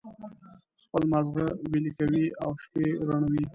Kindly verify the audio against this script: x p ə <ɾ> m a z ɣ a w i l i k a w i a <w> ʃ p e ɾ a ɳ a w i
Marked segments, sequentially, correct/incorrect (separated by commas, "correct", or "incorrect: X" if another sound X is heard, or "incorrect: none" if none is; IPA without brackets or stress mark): incorrect: l, correct